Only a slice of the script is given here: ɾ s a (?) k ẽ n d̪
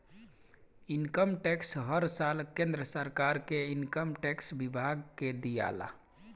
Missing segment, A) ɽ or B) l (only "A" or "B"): B